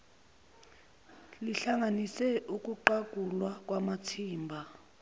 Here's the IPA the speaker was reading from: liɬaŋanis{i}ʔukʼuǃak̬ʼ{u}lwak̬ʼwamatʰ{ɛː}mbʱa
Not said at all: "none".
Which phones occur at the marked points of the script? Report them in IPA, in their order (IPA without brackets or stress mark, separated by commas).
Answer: ɛ, u, iː